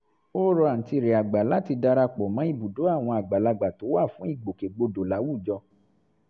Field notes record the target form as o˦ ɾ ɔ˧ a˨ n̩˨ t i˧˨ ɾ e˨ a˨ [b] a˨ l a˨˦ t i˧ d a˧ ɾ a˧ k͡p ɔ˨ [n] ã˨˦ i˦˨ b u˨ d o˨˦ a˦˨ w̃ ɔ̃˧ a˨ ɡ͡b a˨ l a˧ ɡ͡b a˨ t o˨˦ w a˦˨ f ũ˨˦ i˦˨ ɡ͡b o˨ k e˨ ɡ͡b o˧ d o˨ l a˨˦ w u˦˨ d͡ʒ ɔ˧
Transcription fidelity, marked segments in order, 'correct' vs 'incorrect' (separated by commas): incorrect, incorrect